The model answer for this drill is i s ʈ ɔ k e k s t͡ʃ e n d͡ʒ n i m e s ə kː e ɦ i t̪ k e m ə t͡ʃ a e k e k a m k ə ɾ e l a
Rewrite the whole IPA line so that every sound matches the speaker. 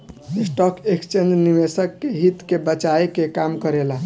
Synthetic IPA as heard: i s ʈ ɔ k e k s t͡ʃ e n d͡ʒ n i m e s ə kː e ɦ i t̪ k e b ə t͡ʃ a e k e k a m k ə ɾ e l a